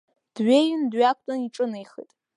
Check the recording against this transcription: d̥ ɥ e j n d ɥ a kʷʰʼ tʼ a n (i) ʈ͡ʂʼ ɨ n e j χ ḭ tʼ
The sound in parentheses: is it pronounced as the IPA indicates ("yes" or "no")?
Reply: yes